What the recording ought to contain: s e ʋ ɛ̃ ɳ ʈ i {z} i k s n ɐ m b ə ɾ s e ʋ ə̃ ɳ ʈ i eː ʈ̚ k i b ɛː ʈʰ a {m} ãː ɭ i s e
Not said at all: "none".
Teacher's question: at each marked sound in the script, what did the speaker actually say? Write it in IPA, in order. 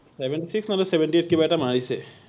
s, m

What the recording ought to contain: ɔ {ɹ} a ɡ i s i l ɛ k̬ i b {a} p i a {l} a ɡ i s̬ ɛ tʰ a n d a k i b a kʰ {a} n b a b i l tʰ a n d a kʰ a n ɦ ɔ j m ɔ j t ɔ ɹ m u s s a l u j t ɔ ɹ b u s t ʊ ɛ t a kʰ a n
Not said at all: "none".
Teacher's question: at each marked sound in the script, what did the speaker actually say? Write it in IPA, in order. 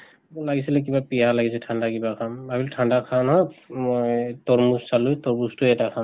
l, a, l, a

